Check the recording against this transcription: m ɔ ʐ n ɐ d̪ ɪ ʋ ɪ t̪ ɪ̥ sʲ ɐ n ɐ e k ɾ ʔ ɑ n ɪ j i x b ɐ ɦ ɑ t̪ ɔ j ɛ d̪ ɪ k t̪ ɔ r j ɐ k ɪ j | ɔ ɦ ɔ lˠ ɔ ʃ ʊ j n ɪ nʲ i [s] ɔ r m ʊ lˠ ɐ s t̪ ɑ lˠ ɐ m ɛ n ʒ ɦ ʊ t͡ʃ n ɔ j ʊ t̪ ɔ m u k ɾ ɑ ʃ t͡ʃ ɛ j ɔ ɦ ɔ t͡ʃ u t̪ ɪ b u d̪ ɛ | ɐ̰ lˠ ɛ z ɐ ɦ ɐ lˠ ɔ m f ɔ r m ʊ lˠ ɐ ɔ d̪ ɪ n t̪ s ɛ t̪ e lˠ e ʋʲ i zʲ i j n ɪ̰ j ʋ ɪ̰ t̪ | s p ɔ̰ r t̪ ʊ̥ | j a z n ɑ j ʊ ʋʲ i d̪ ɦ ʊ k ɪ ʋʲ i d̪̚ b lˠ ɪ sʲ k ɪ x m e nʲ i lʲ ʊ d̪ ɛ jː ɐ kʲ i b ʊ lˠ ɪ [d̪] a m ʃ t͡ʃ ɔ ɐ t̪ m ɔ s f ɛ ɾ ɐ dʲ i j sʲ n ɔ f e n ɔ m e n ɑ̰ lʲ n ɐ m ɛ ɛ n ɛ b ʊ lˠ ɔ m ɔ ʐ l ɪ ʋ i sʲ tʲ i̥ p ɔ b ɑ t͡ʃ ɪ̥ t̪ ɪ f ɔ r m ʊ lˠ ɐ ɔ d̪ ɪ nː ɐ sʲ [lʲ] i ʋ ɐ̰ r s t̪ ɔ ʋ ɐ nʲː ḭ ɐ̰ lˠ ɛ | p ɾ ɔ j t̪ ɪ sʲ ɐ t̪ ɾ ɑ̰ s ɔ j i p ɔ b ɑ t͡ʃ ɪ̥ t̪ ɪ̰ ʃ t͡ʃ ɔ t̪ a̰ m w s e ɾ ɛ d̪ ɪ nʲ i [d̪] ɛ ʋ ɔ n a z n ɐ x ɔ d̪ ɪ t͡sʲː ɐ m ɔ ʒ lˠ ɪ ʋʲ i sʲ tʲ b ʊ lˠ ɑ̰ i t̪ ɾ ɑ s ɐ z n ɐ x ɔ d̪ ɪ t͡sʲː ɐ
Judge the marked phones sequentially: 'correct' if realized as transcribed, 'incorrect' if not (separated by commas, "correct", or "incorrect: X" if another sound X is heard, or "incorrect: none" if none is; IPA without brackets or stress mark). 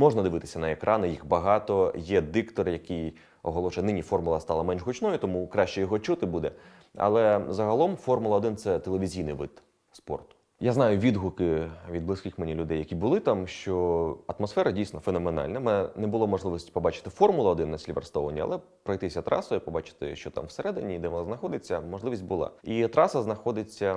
incorrect: f, incorrect: t̪, correct, correct